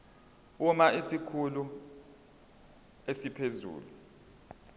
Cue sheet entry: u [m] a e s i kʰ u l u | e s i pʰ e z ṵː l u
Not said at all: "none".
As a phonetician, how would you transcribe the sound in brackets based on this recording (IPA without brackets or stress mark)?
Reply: m